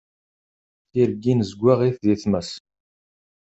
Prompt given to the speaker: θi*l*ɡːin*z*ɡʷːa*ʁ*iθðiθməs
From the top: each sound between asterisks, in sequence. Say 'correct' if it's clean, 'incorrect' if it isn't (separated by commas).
incorrect, correct, correct